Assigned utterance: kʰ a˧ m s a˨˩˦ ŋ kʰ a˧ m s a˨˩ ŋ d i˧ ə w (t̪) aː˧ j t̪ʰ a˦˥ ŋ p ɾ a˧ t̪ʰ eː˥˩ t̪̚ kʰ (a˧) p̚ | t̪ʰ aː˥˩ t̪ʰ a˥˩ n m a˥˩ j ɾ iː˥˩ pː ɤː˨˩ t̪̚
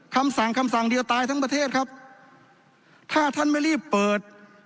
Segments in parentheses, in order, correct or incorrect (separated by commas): correct, incorrect